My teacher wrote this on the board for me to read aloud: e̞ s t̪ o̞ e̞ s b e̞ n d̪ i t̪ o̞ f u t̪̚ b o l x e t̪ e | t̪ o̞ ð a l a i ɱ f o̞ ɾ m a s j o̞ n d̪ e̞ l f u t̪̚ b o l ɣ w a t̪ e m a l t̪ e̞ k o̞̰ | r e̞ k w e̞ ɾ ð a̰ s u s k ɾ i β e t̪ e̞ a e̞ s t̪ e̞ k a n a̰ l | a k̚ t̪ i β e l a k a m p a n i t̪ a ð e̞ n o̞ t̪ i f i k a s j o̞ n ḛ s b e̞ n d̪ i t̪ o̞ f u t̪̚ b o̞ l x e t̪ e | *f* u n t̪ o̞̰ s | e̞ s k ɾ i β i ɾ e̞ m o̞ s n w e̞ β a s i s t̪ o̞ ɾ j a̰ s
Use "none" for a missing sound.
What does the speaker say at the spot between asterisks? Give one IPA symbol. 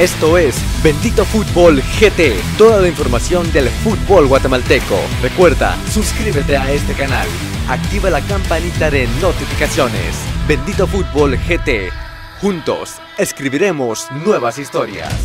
x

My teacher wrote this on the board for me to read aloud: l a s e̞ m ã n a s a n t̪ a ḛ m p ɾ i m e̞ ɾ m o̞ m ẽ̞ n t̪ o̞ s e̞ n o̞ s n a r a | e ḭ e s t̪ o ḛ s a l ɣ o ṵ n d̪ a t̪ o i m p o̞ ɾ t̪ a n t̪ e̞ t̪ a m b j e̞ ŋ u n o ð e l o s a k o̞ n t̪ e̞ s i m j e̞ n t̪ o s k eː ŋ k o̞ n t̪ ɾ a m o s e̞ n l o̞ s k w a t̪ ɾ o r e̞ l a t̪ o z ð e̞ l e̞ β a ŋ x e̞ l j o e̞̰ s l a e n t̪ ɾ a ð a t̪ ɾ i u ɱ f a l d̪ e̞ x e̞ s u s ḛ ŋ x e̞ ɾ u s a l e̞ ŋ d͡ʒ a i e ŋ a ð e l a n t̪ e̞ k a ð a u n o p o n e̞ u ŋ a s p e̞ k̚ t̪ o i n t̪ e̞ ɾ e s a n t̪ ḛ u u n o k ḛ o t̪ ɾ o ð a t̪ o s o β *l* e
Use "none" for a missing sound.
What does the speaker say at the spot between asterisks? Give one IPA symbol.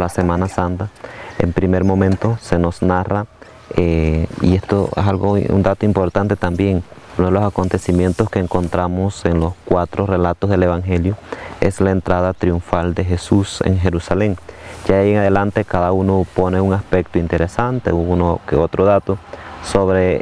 ɾ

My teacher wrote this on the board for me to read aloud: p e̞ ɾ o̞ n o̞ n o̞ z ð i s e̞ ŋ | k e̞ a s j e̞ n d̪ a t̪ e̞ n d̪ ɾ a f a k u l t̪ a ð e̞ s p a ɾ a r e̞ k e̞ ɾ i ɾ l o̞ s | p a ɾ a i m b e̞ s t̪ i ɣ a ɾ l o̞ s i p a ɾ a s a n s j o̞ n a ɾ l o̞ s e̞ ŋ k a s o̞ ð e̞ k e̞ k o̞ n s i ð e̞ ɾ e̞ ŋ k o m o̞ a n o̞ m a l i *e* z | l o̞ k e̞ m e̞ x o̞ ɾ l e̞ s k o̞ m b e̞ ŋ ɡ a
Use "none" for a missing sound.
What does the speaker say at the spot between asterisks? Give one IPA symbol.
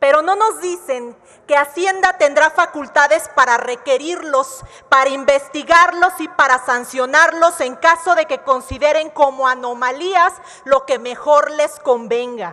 a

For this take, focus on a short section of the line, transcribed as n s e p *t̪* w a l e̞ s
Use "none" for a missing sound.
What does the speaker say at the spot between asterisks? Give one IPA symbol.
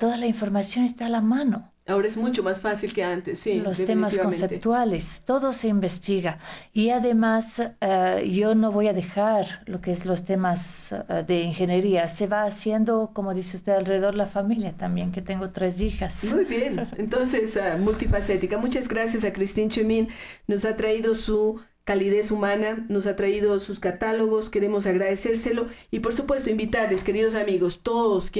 t̪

